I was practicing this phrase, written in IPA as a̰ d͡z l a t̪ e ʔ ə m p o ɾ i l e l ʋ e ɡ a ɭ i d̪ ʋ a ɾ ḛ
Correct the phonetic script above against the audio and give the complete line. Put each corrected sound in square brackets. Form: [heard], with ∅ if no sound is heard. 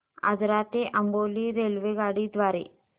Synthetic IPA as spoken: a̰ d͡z [ɾ] a t̪ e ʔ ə m [b] o [l] i [ɾ] e l ʋ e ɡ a [ɽ] i d̪ ʋ a ɾ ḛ

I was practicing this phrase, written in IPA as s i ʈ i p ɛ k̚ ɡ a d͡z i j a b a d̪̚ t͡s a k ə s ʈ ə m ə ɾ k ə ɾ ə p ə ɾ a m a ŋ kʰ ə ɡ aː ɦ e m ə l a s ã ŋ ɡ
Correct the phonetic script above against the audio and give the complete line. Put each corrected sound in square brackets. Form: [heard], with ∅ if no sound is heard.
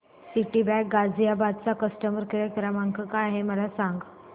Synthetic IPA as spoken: s i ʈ i [b] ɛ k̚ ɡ a d͡z i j a b a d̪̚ t͡s a k ə s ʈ ə m ə ɾ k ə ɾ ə [k] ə ɾ a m a ŋ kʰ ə [k] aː ɦ e m ə l a s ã ŋ ɡ

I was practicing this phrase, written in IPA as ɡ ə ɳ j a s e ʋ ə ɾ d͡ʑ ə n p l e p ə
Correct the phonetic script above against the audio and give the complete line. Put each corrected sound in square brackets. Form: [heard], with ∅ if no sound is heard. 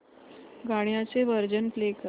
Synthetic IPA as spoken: ɡ [a] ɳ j a [t͡s] e ʋ ə ɾ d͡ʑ ə n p l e [k] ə

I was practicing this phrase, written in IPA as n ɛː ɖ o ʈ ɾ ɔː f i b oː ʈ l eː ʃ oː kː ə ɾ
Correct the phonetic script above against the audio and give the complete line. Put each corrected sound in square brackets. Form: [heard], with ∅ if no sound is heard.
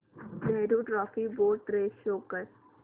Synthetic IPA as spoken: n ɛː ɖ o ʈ ɾ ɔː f i b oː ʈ [ɾ] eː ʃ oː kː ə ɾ

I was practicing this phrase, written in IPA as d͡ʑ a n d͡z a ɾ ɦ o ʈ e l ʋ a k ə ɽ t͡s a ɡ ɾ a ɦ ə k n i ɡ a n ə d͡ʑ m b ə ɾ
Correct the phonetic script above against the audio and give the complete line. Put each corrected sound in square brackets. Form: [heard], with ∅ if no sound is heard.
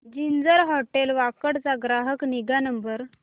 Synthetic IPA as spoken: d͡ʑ [i] n d͡z [ə] ɾ ɦ [ɔ] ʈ e l ʋ a k ə ɽ t͡s a ɡ ɾ a ɦ ə k n i ɡ a n ə [∅] m b ə ɾ

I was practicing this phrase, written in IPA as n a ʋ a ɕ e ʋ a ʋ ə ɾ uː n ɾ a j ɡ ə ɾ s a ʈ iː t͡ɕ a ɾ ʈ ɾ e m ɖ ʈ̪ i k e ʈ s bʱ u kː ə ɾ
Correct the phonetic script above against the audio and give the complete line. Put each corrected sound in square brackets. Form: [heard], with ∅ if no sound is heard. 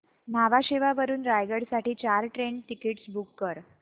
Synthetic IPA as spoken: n a ʋ a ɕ e ʋ a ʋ ə ɾ uː n ɾ a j ɡ ə [ɽ] s a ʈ iː t͡ɕ a ɾ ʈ ɾ e [ɳ] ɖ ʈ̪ i k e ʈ s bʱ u kː ə ɾ

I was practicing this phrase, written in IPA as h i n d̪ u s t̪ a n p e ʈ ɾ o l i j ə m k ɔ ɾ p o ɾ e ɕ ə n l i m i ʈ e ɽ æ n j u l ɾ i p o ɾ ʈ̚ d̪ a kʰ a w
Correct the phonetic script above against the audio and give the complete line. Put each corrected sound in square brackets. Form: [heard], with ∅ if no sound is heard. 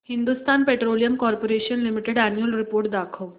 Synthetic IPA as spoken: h i n d̪ u s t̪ a n p e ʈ ɾ o l i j ə m k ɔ ɾ p o ɾ e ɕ ə n l i m i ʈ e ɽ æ n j u l ɾ i p o ɾ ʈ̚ d̪ a kʰ [ə] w

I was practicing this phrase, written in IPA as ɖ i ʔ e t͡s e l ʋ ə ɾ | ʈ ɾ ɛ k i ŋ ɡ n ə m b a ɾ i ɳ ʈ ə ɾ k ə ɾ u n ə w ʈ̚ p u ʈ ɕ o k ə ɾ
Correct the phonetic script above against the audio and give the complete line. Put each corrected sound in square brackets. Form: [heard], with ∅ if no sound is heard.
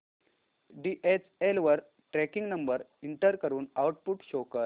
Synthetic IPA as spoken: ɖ i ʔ e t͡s e l ʋ ə ɾ | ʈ ɾ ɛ k i ŋ ɡ n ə m b [ə] ɾ i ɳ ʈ ə ɾ k ə ɾ [uː] n [a] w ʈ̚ p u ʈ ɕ o k ə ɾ

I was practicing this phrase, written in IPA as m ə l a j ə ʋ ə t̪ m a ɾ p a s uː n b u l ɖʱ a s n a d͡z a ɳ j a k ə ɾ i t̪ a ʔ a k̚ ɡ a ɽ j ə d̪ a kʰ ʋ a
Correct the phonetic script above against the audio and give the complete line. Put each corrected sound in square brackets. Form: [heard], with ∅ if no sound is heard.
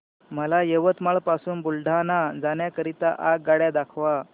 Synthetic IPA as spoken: m ə l a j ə ʋ ə t̪ m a [ɭ] p a s uː n b u l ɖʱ a [∅] n a d͡z a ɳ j a k ə ɾ i t̪ a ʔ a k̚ ɡ a ɽ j [a] d̪ a kʰ ʋ a

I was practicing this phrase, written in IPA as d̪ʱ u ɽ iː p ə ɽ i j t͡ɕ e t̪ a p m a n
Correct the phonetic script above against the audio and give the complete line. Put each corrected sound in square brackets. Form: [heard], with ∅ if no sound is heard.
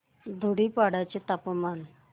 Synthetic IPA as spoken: d̪ʱ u ɽ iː p [a] ɽ [a] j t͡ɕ e t̪ a p m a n

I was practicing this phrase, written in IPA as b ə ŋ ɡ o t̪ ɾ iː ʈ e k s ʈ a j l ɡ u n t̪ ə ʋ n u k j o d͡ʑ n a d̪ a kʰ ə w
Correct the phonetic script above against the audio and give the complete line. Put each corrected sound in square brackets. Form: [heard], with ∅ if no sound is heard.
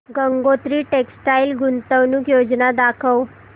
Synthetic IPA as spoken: [ɡ] ə ŋ ɡ o t̪ ɾ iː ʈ e k s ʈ a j l ɡ u n t̪ ə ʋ n u k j o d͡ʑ n a d̪ a kʰ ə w

